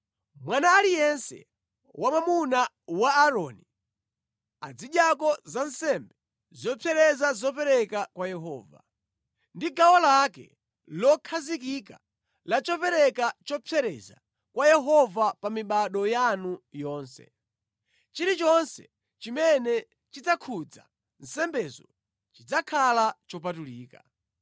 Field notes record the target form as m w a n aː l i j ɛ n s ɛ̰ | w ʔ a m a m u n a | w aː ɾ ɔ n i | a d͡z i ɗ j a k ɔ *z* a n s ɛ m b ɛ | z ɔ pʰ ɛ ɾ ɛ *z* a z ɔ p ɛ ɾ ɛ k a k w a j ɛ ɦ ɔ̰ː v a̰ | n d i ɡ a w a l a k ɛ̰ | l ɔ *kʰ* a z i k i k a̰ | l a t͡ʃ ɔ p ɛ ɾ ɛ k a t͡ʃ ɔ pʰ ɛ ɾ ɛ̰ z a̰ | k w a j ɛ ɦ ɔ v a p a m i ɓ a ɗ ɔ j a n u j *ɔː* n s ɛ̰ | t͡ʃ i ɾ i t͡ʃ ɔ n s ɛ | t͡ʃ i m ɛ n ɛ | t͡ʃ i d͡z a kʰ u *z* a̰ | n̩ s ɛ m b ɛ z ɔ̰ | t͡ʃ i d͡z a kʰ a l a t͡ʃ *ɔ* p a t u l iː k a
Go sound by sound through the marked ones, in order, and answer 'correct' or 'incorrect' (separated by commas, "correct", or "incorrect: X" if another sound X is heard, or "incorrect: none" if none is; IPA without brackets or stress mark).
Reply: correct, correct, correct, correct, incorrect: d͡z, correct